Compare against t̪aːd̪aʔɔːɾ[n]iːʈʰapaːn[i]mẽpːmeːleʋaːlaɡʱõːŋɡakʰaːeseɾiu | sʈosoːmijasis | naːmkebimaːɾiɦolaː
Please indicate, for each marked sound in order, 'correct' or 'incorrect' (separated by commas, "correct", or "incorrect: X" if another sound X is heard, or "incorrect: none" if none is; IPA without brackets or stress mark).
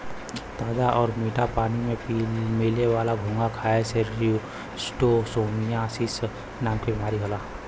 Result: incorrect: m, correct